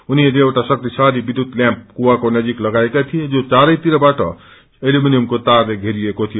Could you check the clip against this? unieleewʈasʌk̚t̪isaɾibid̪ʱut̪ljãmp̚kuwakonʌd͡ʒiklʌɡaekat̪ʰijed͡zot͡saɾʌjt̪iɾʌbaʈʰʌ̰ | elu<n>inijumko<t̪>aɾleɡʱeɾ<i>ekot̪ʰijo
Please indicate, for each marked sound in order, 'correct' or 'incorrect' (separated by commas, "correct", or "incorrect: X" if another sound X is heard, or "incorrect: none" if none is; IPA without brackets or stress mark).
incorrect: m, correct, correct